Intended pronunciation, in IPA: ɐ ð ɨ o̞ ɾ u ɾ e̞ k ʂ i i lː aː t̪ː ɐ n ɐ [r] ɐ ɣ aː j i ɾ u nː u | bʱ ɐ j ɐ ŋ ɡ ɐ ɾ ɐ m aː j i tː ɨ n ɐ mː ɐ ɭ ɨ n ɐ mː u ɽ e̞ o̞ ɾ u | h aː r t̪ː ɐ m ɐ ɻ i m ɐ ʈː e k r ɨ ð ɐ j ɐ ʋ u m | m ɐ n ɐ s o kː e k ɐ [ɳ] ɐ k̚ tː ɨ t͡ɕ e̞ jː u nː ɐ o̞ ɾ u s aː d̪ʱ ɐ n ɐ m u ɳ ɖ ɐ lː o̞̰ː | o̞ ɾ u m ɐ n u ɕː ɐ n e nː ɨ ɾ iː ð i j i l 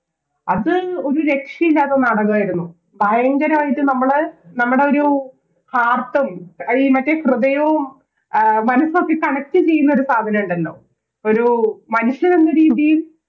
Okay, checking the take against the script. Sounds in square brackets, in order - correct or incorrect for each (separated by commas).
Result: incorrect, correct